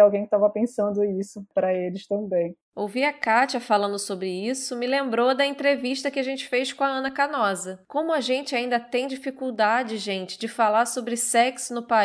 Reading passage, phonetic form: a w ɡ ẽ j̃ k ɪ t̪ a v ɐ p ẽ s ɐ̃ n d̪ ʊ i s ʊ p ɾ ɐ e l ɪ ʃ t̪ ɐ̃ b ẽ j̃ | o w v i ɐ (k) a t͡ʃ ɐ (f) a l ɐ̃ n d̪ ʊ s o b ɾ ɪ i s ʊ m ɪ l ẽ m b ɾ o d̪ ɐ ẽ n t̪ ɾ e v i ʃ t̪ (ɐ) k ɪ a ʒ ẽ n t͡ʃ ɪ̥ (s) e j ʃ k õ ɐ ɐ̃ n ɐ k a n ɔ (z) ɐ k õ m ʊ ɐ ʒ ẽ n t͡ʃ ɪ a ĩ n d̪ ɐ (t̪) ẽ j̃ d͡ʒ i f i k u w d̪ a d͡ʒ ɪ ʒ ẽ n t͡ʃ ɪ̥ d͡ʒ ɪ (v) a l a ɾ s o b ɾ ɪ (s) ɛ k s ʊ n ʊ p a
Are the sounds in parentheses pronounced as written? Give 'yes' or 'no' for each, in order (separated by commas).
yes, yes, yes, no, yes, yes, no, yes